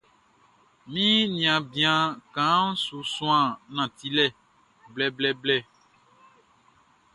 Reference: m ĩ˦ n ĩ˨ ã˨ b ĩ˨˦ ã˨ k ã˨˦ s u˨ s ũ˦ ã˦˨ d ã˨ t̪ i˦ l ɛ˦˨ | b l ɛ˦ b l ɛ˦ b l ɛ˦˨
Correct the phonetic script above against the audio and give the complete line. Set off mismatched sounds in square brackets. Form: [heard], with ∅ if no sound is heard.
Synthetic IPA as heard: m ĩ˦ n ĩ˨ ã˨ b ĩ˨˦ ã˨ k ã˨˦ s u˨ s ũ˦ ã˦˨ [n] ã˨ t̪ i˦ l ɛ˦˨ | b l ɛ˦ b l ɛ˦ b l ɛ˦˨